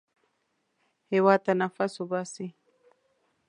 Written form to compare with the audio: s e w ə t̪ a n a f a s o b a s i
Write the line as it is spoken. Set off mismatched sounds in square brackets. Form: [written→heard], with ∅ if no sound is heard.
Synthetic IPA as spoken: [s→h] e w [ə→a] t̪ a n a f a s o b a s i